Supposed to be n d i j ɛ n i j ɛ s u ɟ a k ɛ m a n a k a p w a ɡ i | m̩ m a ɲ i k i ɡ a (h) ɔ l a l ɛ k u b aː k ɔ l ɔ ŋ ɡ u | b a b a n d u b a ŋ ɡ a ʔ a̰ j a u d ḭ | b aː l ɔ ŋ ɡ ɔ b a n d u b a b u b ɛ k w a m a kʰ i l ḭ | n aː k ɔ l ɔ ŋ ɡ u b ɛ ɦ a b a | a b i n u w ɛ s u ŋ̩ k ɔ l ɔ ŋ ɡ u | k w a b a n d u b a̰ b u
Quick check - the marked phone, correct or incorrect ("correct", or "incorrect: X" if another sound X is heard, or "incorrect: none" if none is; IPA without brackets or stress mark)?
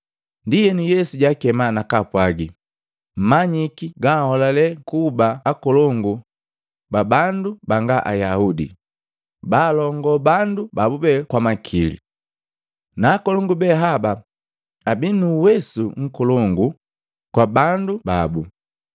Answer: correct